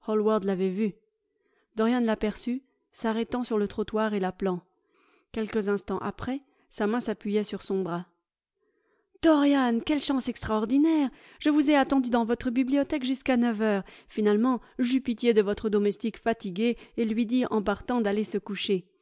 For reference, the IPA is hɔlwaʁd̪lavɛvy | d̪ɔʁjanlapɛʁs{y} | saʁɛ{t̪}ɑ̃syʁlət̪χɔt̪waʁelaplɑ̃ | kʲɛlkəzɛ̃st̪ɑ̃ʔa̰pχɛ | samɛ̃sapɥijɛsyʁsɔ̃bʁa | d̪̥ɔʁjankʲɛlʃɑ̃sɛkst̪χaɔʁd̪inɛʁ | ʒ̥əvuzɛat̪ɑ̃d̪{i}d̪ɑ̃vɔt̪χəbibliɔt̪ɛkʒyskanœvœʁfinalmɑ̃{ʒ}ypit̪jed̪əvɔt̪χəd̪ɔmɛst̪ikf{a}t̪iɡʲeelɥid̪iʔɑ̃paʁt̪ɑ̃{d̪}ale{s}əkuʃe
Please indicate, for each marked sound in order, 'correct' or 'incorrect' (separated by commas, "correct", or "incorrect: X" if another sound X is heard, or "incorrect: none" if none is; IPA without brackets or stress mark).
correct, correct, incorrect: y, correct, correct, correct, correct